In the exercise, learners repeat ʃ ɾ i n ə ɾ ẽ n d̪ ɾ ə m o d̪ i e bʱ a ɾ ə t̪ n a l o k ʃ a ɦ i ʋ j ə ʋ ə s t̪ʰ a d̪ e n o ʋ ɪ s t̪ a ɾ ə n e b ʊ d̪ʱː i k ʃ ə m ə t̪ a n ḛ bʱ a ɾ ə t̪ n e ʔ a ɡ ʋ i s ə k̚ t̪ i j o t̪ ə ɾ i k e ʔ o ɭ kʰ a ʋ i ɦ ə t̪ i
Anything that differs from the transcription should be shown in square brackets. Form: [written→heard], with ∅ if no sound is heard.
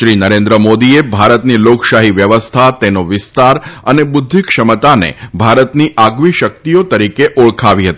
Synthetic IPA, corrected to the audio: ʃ ɾ i n ə ɾ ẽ n d̪ ɾ ə m o d̪ i e bʱ a ɾ ə t̪ n [a→i] l o k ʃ a ɦ i ʋ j ə ʋ ə s t̪ʰ a [d̪→t̪] e n o ʋ ɪ s t̪ a ɾ ə n e b ʊ d̪ʱː i k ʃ ə m ə t̪ a n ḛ bʱ a ɾ ə t̪ n [e→i] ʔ a ɡ ʋ i [s→ʃ] ə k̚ t̪ i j o t̪ ə ɾ i k e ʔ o ɭ kʰ a ʋ i ɦ ə t̪ i